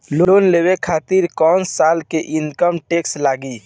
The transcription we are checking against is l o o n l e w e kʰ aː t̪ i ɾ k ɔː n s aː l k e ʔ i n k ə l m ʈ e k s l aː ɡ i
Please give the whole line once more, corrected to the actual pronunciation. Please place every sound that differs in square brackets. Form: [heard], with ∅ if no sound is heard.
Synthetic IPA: l o o n l e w e kʰ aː t̪ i ɾ k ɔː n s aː l k e ʔ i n k ə [∅] m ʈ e k s l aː ɡ i